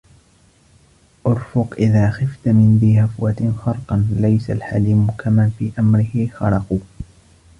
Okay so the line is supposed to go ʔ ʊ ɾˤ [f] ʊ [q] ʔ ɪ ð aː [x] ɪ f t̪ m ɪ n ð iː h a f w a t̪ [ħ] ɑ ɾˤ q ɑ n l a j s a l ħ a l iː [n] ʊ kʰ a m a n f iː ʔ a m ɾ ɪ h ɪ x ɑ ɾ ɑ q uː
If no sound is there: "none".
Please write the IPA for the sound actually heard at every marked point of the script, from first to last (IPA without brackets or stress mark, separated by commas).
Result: f, q, x, x, m